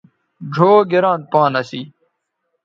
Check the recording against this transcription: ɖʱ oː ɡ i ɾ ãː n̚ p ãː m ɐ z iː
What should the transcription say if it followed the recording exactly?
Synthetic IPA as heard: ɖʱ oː ɡ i ɾ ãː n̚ p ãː n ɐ s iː